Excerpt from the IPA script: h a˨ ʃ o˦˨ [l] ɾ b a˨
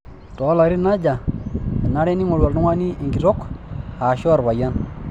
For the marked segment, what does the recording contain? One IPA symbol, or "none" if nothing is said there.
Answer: none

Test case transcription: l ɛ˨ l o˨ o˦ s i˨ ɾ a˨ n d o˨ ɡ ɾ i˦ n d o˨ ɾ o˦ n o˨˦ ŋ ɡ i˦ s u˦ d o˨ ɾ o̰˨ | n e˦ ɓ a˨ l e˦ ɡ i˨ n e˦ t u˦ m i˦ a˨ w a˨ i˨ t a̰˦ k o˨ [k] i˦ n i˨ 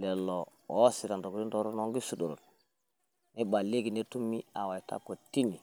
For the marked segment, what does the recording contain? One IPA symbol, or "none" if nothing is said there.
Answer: t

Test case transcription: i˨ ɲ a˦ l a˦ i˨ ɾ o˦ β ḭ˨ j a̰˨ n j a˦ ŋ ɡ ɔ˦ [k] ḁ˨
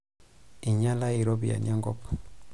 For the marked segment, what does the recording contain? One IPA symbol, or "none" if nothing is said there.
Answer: p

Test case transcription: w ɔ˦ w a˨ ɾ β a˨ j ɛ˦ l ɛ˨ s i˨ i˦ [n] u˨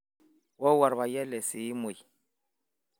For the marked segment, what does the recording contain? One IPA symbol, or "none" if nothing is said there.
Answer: m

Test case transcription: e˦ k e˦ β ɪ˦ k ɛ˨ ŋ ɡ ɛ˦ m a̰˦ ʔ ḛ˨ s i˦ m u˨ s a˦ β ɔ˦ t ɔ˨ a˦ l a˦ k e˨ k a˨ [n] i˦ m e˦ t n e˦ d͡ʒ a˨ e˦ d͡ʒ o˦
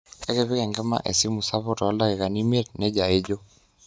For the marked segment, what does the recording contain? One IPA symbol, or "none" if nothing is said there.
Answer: n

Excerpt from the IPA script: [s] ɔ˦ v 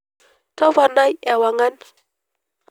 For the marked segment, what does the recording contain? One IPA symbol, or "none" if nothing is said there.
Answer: t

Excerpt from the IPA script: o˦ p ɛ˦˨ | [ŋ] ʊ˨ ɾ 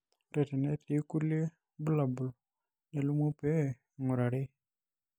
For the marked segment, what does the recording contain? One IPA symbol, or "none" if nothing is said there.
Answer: ŋ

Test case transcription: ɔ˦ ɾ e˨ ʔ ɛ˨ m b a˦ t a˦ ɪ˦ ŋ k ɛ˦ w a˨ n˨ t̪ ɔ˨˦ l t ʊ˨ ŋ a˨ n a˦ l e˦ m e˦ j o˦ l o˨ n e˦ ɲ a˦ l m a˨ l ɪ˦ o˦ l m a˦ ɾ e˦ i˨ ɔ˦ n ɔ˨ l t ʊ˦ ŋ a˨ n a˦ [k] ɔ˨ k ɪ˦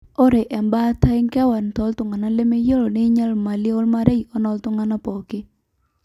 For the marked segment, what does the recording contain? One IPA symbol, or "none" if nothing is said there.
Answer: p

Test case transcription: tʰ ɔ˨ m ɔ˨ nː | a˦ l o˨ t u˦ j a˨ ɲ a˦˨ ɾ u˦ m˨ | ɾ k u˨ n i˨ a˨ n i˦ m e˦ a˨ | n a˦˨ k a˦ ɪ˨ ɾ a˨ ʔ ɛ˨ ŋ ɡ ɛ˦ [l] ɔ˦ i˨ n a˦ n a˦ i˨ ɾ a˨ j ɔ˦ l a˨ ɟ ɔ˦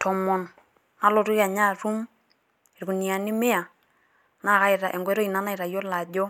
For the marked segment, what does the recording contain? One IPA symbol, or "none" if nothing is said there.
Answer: ɾ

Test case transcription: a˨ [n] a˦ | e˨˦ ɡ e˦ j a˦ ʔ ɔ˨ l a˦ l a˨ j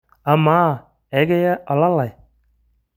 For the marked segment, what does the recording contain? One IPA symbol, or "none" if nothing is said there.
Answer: m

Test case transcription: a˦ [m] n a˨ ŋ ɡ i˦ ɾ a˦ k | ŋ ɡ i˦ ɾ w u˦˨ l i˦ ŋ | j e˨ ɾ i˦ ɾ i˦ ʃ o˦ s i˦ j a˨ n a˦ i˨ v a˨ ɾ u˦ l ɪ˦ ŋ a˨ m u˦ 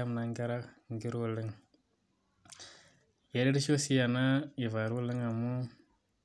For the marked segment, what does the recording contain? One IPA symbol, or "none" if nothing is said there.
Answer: m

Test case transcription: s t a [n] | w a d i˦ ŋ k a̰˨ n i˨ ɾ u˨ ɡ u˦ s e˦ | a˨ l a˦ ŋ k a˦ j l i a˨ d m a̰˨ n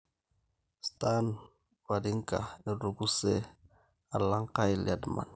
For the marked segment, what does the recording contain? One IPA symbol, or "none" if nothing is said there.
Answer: n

